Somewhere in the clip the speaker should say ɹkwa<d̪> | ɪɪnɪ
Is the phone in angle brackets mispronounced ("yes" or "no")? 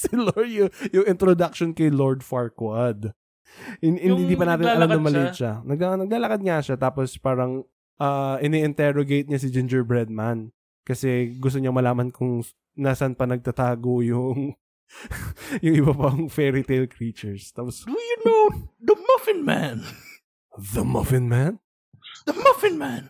no